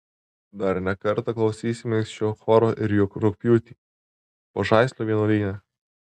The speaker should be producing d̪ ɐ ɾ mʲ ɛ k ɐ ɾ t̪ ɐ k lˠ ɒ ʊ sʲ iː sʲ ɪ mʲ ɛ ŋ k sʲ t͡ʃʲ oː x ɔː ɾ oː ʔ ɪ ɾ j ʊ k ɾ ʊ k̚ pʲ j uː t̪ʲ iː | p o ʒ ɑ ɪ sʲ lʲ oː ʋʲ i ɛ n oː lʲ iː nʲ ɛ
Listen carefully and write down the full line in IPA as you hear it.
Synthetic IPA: d̪ ɐ ɾ nʲ ɛ k ɐ ɾ t̪ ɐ k lˠ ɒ ʊ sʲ iː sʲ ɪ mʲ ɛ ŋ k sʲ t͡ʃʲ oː x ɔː ɾ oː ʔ ɪ ɾ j ʊ k ɾ ʊ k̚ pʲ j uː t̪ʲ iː | p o ʒ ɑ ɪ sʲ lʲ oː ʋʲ i ɛ n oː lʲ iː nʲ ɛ